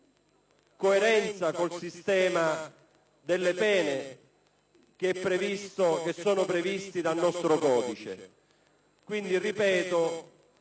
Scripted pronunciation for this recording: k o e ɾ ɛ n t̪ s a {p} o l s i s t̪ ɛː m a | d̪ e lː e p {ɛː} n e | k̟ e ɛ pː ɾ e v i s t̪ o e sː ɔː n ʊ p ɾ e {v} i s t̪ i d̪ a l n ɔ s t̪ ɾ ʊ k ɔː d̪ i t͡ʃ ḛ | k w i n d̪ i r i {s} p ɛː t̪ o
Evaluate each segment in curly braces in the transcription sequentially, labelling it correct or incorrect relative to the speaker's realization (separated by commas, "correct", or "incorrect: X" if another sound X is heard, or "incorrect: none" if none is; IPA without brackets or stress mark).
incorrect: k, correct, correct, incorrect: none